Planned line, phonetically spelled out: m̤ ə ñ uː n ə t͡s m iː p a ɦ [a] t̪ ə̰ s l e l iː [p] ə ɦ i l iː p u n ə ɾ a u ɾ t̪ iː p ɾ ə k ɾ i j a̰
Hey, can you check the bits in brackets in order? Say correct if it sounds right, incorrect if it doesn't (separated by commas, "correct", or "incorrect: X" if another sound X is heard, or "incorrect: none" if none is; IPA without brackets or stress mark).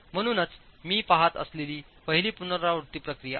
correct, correct